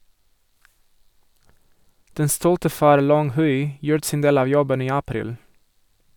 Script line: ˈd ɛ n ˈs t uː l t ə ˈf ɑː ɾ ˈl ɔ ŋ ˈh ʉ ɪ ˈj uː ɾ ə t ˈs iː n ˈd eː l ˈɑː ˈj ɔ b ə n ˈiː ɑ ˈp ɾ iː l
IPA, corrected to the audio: ˈd ɛ n ˈs t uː l t ə ˈf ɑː ɾ ˈl ɔ ŋ ˈh ʉ ɪ ˈj uː ɾ ə t ˈs iː n ˈd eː l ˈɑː ˈj ɔ b ə n ˈiː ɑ ˈp ɾ iː l